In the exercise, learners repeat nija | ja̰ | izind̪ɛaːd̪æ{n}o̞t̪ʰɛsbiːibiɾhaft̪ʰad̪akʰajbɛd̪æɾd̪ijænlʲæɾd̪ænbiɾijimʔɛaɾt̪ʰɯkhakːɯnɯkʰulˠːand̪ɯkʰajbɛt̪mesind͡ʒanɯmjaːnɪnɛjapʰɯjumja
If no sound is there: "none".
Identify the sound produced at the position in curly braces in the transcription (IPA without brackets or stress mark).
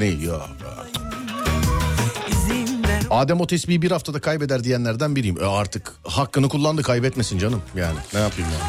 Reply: m